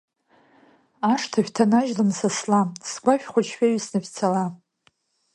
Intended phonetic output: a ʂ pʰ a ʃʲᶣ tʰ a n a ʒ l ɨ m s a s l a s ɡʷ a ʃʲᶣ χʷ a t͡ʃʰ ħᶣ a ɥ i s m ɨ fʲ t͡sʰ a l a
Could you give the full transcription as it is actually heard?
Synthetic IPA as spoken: a ʂ tʰ a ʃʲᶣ tʰ a n a ʒ l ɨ m s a s l a s ɡʷ a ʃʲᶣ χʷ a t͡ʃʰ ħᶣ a ɥ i s n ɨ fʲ t͡sʰ a l a